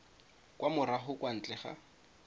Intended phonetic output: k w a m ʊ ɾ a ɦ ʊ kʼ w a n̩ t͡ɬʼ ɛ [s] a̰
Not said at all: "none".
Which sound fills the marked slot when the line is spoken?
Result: χ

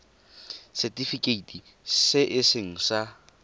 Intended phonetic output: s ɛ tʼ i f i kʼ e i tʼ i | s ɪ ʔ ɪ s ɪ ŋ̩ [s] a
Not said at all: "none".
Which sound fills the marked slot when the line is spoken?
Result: s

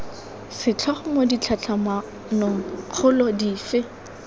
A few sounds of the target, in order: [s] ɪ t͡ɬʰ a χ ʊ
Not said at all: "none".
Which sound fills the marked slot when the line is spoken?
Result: s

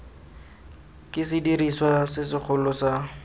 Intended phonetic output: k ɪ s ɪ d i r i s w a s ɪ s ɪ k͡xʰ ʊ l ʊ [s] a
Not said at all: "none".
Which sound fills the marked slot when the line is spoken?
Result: s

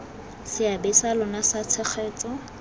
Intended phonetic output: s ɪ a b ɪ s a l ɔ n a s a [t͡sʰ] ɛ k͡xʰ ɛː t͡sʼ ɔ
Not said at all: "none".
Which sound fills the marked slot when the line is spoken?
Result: t͡sʰ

